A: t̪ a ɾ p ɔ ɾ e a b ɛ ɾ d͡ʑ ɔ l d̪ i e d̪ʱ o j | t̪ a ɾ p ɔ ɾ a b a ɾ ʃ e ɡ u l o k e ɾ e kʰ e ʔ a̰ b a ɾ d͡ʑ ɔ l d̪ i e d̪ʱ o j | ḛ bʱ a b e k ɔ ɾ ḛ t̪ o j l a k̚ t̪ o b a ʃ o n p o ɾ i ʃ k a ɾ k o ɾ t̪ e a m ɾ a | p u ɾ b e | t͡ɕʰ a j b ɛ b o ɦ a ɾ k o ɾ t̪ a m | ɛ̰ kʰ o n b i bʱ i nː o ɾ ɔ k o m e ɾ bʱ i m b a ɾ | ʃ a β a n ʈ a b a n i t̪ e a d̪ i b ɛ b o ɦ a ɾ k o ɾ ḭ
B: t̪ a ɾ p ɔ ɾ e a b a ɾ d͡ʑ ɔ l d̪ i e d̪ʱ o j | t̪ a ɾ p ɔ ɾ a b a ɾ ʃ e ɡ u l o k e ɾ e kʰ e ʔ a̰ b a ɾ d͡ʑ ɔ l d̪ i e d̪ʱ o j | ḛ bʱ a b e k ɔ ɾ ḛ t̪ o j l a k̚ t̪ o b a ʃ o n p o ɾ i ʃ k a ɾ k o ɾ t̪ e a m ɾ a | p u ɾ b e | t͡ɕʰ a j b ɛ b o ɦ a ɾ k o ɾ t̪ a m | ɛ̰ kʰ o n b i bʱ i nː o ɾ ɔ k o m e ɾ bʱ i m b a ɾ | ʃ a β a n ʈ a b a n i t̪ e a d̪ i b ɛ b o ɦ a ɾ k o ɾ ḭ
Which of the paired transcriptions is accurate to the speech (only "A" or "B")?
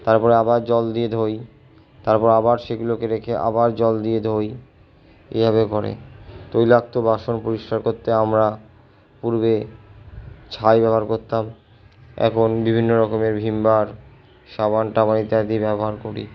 B